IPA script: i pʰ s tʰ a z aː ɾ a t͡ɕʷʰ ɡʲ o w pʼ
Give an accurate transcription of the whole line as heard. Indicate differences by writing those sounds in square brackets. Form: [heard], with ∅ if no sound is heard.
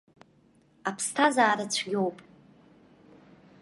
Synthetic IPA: [a] pʰ s tʰ a z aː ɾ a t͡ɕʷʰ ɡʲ o w pʼ